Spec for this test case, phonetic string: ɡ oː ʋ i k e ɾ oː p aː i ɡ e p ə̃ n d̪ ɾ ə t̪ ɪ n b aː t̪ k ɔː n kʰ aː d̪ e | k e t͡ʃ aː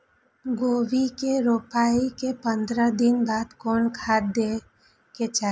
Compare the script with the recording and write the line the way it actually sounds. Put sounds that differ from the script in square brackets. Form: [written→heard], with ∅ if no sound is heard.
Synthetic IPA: ɡ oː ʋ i k e ɾ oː p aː i [ɡ→k] e p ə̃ n d̪ ɾ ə [t̪→d̪] ɪ n b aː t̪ k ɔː n kʰ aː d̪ e | k e t͡ʃ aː